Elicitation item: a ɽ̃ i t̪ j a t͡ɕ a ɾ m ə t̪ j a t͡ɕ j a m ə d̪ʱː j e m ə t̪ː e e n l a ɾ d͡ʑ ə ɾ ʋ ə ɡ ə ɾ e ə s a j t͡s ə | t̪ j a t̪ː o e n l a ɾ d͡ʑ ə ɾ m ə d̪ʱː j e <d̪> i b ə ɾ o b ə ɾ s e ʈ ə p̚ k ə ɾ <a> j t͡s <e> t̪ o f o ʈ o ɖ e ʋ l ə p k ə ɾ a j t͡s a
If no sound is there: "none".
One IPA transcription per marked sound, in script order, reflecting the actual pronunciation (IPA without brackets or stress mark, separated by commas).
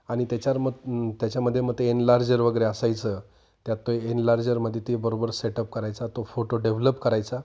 t̪, a, a